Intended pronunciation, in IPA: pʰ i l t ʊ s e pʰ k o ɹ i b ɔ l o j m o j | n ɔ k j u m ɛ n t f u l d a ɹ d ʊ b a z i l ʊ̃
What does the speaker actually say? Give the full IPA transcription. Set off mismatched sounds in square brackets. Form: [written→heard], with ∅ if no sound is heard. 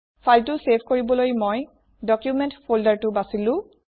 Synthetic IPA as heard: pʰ [i→a] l t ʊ s e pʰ k o ɹ i b ɔ l o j m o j | [n→d] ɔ k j u m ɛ n t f [u→o] l d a ɹ [d→t] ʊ b a [z→s] i l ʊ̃